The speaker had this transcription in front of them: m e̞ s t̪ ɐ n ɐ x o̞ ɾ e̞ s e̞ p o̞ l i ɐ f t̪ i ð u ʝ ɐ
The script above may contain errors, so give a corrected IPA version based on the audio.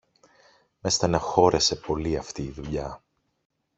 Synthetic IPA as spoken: m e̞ s t̪ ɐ n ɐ x o̞ ɾ e̞ s e̞ p o̞ l i ɐ f t̪ iː ð u ʎ ɐ